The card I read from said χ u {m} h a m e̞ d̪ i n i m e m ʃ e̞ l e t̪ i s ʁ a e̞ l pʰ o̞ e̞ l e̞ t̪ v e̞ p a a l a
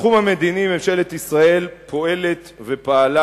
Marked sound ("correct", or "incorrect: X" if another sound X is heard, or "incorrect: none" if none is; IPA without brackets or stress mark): correct